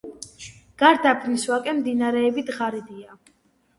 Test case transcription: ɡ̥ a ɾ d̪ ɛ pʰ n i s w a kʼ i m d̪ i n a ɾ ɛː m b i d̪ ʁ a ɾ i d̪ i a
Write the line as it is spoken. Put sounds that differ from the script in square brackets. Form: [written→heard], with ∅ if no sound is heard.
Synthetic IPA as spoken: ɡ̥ a ɾ d̪ [ɛ→a] pʰ n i s w a kʼ [i→ɛ] m d̪ i n a ɾ ɛː [m→∅] b i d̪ ʁ a ɾ i d̪ i a